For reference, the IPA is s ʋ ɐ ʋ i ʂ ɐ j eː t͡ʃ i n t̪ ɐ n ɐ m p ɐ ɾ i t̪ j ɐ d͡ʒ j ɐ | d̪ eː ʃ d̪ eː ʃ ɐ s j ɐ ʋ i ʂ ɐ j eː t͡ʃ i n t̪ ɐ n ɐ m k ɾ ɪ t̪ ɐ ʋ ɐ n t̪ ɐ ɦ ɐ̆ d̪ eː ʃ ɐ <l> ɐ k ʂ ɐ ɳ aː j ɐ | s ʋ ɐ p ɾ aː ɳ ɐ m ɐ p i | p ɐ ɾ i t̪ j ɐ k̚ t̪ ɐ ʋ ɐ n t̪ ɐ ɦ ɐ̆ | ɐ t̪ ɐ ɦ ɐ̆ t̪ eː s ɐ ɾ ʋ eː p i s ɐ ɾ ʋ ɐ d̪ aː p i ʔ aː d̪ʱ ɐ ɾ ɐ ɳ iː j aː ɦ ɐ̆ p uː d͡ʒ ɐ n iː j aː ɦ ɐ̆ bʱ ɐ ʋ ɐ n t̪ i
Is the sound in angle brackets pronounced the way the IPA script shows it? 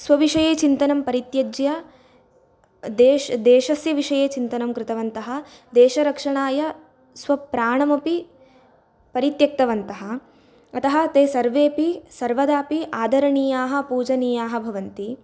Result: no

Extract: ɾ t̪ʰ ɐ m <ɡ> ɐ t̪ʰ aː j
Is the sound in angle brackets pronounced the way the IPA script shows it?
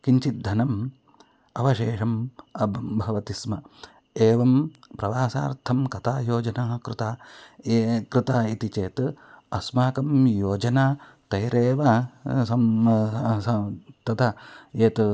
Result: no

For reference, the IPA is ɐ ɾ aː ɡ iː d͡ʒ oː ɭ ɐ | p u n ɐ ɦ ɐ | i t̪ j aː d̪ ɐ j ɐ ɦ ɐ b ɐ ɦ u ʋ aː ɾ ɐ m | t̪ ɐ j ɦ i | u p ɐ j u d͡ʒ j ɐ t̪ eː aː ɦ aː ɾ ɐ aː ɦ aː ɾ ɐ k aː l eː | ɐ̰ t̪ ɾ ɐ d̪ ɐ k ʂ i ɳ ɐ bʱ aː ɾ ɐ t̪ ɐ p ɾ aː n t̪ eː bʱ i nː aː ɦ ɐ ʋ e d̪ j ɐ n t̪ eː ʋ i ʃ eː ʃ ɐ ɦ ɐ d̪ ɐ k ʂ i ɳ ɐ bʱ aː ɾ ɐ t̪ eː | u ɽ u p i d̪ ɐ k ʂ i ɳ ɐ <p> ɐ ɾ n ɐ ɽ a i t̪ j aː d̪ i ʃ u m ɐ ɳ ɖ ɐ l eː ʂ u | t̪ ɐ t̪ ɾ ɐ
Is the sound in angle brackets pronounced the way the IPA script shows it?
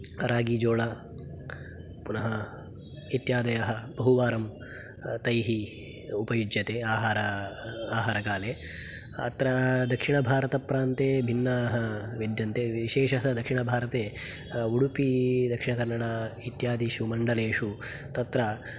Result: no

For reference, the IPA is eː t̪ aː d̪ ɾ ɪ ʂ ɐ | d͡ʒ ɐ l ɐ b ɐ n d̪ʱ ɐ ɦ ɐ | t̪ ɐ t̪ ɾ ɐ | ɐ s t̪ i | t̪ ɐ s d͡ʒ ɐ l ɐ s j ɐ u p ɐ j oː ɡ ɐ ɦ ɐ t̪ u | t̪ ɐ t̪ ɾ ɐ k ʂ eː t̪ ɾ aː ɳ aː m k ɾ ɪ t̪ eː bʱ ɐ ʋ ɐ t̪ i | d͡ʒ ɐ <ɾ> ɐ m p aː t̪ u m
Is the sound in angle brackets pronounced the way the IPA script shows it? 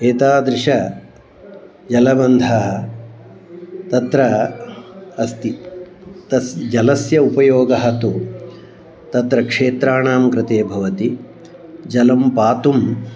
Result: no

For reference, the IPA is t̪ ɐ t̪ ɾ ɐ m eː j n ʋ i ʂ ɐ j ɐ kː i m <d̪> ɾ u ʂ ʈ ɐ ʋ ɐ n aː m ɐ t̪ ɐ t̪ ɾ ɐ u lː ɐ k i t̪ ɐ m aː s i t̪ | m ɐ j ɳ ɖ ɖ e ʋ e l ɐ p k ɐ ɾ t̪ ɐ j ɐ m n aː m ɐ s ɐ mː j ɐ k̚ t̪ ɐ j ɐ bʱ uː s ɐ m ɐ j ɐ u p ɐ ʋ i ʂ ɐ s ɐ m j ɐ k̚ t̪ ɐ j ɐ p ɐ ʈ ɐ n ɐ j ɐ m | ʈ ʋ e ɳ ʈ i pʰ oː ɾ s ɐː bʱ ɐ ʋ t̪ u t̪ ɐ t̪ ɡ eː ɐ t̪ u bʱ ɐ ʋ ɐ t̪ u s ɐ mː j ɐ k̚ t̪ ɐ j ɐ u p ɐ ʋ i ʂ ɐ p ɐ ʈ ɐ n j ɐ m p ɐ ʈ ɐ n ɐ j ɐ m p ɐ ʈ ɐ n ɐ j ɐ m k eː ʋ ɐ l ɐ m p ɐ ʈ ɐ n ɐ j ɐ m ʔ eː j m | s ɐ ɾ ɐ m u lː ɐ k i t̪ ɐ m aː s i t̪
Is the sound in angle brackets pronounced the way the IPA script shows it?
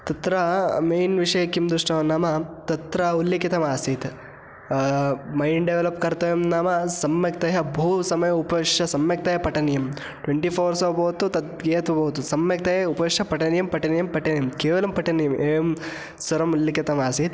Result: yes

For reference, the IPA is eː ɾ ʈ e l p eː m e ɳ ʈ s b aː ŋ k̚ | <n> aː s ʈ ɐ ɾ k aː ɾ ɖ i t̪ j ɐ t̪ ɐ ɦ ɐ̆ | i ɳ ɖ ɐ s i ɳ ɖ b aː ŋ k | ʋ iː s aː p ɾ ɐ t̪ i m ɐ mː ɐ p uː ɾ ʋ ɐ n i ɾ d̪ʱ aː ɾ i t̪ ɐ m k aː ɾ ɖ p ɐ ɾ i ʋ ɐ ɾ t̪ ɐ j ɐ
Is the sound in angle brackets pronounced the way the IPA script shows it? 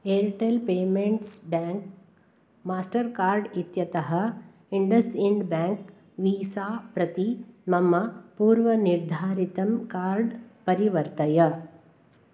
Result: no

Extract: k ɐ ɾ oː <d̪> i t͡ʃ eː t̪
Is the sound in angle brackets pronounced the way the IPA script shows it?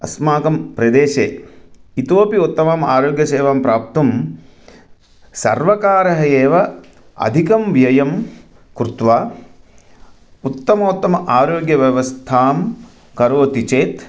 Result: no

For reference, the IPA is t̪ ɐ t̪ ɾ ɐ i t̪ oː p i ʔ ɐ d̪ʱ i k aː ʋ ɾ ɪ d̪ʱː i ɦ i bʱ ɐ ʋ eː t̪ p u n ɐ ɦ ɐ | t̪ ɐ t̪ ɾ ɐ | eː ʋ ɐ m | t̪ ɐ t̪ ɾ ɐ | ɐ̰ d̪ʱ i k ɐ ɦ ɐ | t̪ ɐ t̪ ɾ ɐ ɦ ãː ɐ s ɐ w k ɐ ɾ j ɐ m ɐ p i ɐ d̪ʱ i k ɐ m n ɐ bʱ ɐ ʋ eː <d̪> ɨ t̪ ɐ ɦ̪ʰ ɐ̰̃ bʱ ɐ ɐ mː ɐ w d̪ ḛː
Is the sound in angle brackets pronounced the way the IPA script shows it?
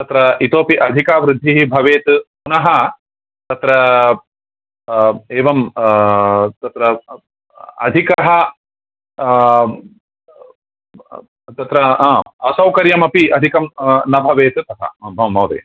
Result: no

